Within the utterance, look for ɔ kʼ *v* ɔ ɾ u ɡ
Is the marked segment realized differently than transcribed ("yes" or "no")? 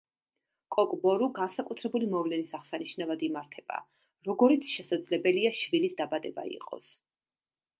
yes